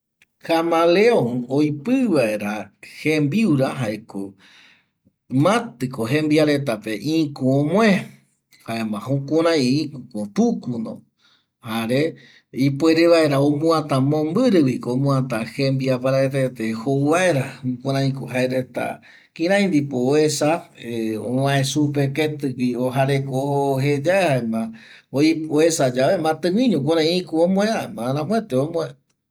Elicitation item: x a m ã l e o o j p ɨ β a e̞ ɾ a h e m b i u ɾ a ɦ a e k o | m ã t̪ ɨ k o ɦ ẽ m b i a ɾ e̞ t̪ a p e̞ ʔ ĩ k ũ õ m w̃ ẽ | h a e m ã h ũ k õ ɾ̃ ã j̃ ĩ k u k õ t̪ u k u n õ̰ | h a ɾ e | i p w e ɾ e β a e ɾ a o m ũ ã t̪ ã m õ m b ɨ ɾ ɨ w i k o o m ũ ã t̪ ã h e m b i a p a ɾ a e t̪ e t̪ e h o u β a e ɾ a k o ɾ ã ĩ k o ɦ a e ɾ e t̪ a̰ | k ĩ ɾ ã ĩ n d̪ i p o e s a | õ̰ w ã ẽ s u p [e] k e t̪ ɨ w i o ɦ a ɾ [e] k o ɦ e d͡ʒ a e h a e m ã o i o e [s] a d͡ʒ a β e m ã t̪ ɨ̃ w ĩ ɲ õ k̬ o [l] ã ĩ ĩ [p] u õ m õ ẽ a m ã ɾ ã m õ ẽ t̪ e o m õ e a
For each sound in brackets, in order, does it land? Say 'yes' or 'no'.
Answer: yes, yes, yes, no, no

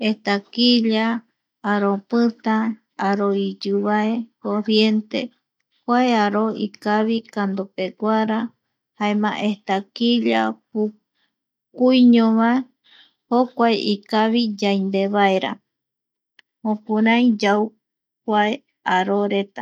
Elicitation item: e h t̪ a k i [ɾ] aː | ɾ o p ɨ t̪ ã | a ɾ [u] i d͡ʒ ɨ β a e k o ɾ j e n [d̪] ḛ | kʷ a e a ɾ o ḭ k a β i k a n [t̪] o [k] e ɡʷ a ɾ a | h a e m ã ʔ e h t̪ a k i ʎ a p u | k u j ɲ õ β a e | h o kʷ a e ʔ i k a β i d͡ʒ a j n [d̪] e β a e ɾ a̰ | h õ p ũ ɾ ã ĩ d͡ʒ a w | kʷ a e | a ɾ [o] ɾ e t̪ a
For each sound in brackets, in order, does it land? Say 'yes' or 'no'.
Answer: no, no, no, no, no, yes, yes

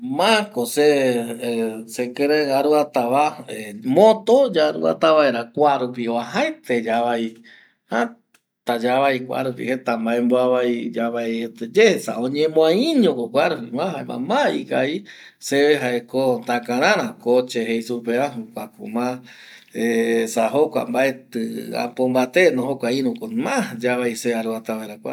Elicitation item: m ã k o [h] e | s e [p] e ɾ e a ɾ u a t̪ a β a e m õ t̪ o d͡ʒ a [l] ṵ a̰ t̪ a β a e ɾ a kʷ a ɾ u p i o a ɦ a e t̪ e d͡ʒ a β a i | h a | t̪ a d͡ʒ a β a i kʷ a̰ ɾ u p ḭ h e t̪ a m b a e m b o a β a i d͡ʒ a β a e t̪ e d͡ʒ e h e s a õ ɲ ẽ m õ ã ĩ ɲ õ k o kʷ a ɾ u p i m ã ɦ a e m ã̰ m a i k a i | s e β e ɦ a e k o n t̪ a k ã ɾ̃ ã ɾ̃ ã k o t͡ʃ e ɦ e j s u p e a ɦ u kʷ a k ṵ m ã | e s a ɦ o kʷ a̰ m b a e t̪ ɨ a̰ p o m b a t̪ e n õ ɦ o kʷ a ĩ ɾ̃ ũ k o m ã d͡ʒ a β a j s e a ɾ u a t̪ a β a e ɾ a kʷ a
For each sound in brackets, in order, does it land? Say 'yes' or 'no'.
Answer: no, no, no

